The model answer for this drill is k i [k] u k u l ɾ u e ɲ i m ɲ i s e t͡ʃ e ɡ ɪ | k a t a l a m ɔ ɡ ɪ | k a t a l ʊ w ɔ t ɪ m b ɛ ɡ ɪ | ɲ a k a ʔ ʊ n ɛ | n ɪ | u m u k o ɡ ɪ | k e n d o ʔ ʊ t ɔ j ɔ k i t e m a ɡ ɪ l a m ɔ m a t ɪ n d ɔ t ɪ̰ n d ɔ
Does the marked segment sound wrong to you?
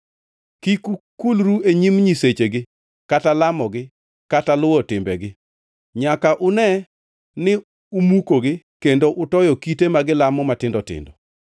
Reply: no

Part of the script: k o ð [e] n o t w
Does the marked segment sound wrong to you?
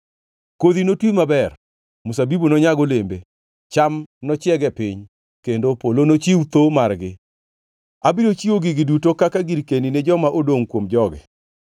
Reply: yes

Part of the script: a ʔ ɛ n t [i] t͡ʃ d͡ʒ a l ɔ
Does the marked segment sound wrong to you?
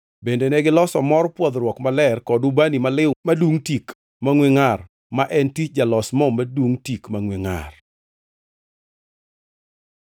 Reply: no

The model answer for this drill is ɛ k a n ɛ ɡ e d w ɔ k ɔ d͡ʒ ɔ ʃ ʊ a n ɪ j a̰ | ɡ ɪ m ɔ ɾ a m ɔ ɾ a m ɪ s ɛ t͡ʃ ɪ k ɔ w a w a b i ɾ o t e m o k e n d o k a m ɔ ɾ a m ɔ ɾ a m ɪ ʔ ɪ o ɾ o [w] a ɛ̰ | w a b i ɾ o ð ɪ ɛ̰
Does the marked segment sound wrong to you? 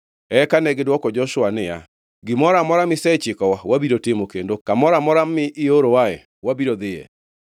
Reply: no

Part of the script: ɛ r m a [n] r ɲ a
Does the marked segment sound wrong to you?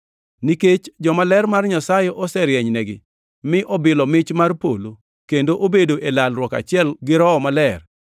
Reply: yes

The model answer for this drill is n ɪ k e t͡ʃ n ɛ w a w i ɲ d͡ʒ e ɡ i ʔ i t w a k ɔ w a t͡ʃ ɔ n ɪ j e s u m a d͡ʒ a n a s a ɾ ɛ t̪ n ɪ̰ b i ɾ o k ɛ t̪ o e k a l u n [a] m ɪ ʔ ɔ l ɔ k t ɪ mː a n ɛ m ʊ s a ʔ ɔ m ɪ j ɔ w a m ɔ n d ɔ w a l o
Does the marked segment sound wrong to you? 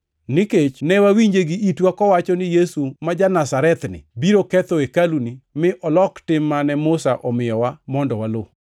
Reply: yes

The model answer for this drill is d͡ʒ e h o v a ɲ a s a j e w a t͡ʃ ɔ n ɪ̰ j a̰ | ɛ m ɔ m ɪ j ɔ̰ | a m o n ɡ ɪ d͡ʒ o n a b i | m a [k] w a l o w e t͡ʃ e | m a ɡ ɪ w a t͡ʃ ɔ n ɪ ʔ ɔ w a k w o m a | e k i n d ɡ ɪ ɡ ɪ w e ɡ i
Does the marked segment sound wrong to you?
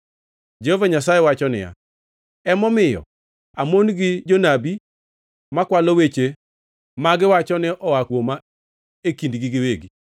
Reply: no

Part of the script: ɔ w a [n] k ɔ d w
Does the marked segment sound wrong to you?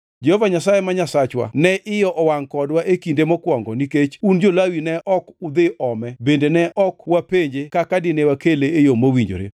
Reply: yes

